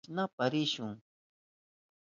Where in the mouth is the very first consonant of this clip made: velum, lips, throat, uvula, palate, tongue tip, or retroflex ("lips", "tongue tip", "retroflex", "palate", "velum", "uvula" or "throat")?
tongue tip